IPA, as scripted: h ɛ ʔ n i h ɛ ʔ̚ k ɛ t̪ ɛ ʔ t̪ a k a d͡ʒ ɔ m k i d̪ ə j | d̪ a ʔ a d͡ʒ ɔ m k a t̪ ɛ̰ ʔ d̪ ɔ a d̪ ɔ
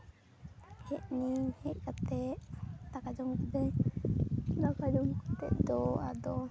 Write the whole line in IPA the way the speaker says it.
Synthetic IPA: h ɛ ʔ n i h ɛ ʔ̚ k a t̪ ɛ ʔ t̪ a k a d͡ʒ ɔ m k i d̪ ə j | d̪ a k a d͡ʒ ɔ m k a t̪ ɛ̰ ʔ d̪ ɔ a d̪ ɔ

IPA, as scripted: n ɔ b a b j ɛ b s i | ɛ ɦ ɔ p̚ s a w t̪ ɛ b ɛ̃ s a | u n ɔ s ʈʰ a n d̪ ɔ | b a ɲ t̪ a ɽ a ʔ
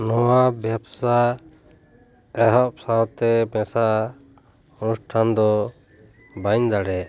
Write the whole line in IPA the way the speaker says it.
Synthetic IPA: n ɔ w a b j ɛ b s a | ɛ ɦ ɔ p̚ s a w t̪ ɛ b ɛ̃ s a | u n u s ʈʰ a n d̪ ɔ | b a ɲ d̪ a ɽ ɛ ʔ

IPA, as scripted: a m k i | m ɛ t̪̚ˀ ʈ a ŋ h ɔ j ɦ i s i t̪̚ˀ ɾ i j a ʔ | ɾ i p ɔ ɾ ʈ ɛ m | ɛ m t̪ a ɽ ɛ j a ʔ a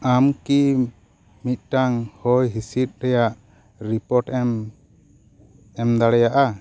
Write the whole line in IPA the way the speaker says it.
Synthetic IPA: a m k i | m i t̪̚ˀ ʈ a ŋ h ɔ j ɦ i s i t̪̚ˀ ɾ ɛ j a ʔ | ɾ i p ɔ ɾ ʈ ɛ m | ɛ m d̪ a ɽ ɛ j a ʔ a

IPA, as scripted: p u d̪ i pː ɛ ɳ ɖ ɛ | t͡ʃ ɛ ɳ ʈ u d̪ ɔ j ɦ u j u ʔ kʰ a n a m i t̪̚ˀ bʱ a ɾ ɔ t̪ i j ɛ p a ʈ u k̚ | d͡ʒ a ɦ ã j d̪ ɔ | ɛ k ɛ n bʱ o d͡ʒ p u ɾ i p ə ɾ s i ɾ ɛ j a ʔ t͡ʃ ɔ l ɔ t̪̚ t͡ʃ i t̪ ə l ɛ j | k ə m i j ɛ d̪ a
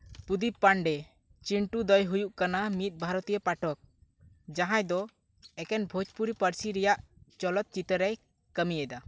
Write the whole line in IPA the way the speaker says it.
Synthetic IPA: p u d̪ i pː a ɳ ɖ ɛ | t͡ʃ i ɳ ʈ u d̪ ɔ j ɦ u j u ʔ k a n a m i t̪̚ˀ bʱ a ɾ ɔ t̪ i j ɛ p a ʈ ɔ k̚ | d͡ʒ a ɦ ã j d̪ ɔ | ɛ k ɛ n bʱ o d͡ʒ p u ɾ i p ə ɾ s i ɾ ɛ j a ʔ t͡ʃ ɔ l ɔ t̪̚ t͡ʃ i t̪ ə ɾ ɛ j | k ə m i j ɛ d̪ a

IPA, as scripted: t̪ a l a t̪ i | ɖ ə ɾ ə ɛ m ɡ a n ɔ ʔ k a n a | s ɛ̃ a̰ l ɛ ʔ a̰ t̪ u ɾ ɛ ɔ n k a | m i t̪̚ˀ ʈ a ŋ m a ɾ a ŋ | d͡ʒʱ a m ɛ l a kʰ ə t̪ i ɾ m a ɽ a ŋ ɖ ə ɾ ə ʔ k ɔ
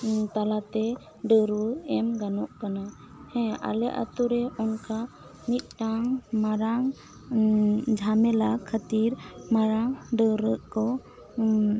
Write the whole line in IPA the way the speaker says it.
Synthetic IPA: t̪ a l a t̪ ɛ | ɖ ə ɾ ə ɛ m ɡ a n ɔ ʔ k a n a | h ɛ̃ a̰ l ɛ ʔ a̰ t̪ u ɾ ɛ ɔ n k a | m i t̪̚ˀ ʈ a ŋ m a ɾ a ŋ | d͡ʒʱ a m ɛ l a kʰ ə t̪ i ɾ m a ɾ a ŋ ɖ ə ɾ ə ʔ k ɔ

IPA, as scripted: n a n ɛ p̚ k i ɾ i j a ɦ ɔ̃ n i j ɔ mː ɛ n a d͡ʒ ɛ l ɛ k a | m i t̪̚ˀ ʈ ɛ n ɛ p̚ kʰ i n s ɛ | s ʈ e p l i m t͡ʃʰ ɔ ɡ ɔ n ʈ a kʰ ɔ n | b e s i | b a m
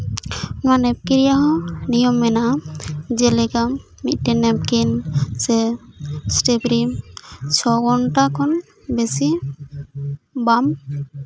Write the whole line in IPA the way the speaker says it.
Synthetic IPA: n a n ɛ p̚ k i ɾ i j a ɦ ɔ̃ n i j ɔ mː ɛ n a d͡ʒ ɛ l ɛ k a | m i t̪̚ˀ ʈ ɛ n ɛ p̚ k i n s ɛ | s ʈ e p ɾ i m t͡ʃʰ ɔ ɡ ɔ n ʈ a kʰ ɔ n | b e s i | b a m

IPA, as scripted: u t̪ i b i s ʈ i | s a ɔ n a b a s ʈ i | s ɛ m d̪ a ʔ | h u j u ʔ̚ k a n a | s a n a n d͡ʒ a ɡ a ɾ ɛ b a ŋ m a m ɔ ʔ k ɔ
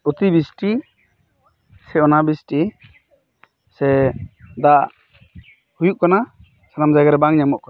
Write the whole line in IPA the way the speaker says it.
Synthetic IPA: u t̪ i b i s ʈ i | s ɛ ɔ n a b i s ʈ i | s ɛ d̪ a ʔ | h u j u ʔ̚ k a n a | s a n a m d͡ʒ a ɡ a ɾ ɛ b a ŋ ɲ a m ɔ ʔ k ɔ

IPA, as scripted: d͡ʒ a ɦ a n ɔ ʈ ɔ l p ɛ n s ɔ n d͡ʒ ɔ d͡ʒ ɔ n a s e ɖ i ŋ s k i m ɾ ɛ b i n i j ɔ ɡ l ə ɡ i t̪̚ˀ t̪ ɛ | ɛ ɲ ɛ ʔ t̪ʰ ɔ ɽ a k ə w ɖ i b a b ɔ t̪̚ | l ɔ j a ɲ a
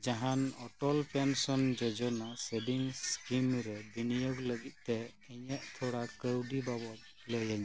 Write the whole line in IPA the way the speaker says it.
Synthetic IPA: d͡ʒ a ɦ a n ɔ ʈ ɔ l p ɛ n s ɔ n d͡ʒ ɔ d͡ʒ ɔ n a s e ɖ i ŋ s k i m ɾ ɛ b i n i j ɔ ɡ l ə ɡ i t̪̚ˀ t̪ ɛ | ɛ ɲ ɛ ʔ t̪ʰ ɔ ɽ a k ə w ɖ i b a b ɔ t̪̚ | l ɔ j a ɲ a

